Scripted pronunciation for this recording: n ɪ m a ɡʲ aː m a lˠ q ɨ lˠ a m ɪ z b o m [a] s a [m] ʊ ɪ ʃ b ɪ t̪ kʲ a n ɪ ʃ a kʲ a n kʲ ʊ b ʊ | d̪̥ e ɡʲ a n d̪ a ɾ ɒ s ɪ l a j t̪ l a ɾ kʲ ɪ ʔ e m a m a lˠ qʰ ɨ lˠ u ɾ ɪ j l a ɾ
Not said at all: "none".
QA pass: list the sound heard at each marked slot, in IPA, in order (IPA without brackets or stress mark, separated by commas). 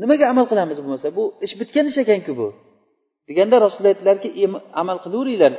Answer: a, b